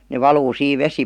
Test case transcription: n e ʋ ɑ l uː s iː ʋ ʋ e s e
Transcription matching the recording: n e ʋ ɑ l uː s iː ʋ ʋ e s i